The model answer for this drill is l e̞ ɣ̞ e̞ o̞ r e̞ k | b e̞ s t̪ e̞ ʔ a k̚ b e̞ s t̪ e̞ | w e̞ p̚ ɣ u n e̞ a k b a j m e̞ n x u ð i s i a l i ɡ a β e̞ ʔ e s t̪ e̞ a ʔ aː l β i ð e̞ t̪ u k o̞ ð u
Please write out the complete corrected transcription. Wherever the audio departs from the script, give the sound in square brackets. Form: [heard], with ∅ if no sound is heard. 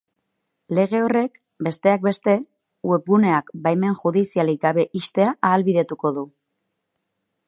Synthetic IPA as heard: l e̞ ɣ̞ e̞ o̞ r e̞ k | b e̞ s t̪ e̞ [∅] a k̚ b e̞ s t̪ e̞ | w e̞ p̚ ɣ u n e̞ a k b a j m e̞ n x u ð i s i a l i ɡ a β e̞ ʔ [i] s t̪ e̞ a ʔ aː l β i ð e̞ t̪ u k o̞ ð u